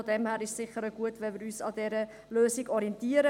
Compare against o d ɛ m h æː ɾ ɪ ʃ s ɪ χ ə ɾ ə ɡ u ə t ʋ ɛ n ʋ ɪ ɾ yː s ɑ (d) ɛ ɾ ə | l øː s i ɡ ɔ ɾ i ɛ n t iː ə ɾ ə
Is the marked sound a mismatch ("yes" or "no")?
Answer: no